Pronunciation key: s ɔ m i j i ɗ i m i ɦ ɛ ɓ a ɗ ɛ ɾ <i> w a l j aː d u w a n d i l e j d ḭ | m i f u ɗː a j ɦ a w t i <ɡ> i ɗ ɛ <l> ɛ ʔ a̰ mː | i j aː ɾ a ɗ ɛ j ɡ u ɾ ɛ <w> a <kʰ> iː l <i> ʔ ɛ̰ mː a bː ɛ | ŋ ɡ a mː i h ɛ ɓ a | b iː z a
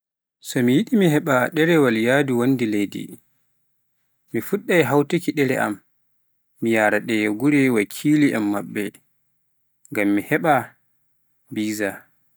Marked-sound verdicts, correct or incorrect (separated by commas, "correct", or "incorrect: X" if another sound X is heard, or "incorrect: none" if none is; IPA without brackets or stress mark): incorrect: ɛ, incorrect: k, incorrect: ɾ, correct, correct, correct